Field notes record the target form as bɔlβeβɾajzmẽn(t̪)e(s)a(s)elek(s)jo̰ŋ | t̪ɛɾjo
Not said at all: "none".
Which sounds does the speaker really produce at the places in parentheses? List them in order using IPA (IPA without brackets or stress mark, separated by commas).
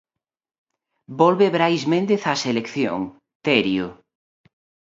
d̪, θ, s, θ